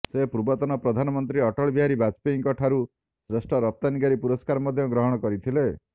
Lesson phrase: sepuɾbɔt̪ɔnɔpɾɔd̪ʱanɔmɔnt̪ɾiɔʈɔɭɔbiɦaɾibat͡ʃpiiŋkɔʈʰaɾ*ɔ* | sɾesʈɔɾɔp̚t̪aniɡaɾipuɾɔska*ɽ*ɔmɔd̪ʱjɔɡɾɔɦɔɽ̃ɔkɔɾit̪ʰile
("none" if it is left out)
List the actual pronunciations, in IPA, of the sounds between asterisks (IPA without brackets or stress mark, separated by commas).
u, ɾ